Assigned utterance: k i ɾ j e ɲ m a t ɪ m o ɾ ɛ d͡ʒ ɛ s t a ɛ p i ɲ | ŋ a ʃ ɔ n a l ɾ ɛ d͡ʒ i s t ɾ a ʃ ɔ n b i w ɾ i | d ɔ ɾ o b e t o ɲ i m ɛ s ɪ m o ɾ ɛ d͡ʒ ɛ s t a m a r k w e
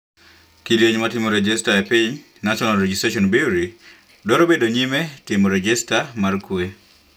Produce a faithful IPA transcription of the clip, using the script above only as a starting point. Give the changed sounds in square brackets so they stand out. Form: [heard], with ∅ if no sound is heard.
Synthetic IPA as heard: k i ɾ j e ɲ m a t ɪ m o ɾ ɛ d͡ʒ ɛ s t a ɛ p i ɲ | [n] a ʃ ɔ n a l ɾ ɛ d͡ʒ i s t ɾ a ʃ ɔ n b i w ɾ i | d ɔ ɾ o b e [d] o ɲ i m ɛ [t] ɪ m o ɾ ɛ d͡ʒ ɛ s t a m a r k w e

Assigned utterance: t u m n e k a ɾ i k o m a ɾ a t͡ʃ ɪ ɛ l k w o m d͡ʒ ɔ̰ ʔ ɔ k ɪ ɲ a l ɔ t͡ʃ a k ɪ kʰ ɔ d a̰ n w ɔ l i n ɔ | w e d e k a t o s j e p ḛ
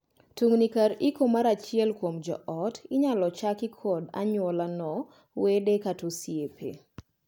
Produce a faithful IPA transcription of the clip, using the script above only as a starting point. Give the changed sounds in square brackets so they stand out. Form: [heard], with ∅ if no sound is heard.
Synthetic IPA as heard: t u [ŋ] n [i] k a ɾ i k o m a ɾ a t͡ʃ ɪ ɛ l k w o m d͡ʒ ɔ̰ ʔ ɔ [t] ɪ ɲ a l ɔ t͡ʃ a k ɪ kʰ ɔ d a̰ [ɲ] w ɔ l [a] n ɔ | w e d e k a t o s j e p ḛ

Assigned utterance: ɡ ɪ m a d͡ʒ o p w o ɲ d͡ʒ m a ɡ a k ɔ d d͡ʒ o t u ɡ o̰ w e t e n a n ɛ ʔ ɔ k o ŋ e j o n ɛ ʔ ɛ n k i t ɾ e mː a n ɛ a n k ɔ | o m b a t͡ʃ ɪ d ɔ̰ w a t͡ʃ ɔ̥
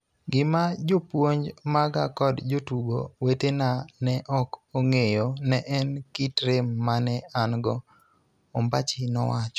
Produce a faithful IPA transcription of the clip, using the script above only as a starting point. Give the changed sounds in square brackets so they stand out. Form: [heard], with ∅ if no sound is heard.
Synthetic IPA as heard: ɡ ɪ m a d͡ʒ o p w o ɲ d͡ʒ m a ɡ a k ɔ d d͡ʒ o t u ɡ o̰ w e t e n a n ɛ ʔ ɔ k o ŋ e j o n ɛ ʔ ɛ n k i t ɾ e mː a n ɛ a n [ɡ] ɔ | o m b a t͡ʃ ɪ [n] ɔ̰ w a t͡ʃ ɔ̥

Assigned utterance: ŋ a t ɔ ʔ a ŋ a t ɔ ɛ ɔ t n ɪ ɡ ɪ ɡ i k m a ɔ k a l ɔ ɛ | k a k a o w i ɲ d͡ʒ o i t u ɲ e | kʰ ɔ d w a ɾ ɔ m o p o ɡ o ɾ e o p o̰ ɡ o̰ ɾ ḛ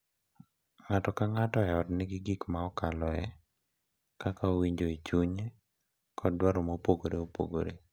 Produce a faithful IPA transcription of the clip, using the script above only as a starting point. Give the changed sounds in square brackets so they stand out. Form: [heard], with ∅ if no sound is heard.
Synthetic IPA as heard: ŋ a t ɔ [k] a ŋ a t ɔ ɛ ɔ t n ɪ ɡ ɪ ɡ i k m a ɔ k a l ɔ ɛ | k a k a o w i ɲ d͡ʒ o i [t͡ʃ] u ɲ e | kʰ ɔ d w a ɾ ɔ m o p o ɡ o ɾ e o p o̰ ɡ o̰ ɾ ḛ

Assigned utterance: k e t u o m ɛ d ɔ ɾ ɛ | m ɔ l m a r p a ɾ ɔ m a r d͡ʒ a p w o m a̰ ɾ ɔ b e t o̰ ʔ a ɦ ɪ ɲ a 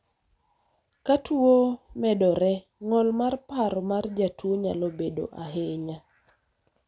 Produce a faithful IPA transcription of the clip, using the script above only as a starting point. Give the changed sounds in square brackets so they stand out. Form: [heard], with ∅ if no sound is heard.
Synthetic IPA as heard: k [a] t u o m ɛ d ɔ ɾ ɛ | [ŋ] ɔ l m a r p a ɾ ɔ m a r d͡ʒ a [t] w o [ɲ] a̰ [l] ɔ b e [d] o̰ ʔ a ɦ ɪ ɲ a

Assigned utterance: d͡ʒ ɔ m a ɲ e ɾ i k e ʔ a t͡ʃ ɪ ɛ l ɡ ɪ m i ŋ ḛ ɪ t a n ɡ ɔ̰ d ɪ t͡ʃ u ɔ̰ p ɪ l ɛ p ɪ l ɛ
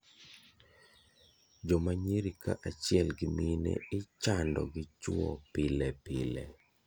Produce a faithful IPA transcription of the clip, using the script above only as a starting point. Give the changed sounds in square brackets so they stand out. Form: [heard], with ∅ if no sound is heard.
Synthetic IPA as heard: d͡ʒ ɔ m a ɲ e ɾ i k [a] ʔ a t͡ʃ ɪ ɛ l ɡ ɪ m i [n] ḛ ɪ [t͡ʃ] a n [d] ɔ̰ [ɡ] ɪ t͡ʃ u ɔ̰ p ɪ l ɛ p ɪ l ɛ

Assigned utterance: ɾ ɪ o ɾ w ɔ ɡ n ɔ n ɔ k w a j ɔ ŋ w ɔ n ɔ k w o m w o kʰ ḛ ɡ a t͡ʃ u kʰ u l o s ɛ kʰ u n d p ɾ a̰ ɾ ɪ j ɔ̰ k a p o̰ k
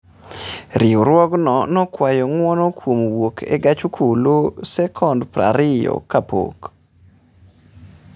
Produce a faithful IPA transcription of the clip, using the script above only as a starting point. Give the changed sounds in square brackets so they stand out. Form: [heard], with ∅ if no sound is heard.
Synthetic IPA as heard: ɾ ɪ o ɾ w ɔ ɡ n ɔ n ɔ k w a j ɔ ŋ w ɔ n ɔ k w o m w o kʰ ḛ ɡ a t͡ʃ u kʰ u l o s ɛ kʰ [ɔ] n d p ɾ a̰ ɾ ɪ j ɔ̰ k a p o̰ k

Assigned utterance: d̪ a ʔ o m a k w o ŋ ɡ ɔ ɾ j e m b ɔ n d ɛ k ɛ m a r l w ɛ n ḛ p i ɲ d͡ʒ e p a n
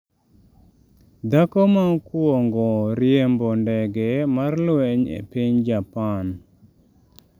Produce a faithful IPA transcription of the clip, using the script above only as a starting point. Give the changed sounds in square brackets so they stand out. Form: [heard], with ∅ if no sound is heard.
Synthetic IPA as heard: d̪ a [k] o m a k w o ŋ ɡ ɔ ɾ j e m b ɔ n d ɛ [ɡ] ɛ m a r l w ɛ [ɲ] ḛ p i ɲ d͡ʒ [a] p a n

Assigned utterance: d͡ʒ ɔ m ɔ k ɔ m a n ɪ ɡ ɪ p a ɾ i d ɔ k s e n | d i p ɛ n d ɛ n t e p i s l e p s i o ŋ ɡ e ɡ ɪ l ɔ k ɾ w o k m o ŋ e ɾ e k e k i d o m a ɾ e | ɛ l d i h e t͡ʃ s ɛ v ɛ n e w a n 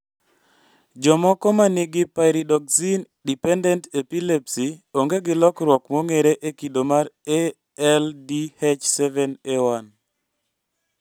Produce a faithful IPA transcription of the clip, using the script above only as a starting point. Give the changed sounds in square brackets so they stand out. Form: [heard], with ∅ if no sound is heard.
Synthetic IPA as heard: d͡ʒ ɔ m ɔ k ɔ m a n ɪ ɡ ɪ p a ɾ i d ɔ k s [i] n | d i p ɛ n d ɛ n t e p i [∅] l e p s i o ŋ ɡ e ɡ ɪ l ɔ k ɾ w [ɔ] k m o ŋ e ɾ e [ʔ] e k i d o m a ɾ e | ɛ l d i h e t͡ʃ s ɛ v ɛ n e w a n

